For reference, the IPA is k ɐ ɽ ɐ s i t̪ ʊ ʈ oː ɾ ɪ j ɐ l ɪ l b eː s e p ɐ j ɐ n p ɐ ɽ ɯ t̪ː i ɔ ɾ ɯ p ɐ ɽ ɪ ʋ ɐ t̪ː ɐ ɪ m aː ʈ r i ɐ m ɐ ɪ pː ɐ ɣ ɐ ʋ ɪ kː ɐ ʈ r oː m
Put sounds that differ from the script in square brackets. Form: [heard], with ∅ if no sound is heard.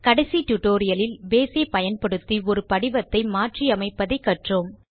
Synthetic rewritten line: k ɐ ɽ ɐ s i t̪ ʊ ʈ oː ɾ ɪ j ɐ l ɪ l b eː s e p ɐ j ɐ n p ɐ ɽ ɯ t̪ː i ɔ ɾ ɯ p ɐ ɽ ɪ ʋ ɐ t̪ː ɐ ɪ m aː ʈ r i ɐ m ɐ ɪ pː ɐ [ð] ɐ [∅] ɪ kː ɐ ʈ r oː m